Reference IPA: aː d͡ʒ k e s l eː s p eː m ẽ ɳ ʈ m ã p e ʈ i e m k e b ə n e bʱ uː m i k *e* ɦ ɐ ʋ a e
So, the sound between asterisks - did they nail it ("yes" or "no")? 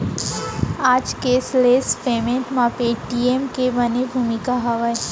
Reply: no